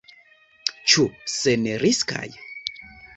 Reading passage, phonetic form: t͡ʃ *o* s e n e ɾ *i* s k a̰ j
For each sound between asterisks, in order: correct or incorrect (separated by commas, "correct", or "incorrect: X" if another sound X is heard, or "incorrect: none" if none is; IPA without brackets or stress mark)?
incorrect: u, correct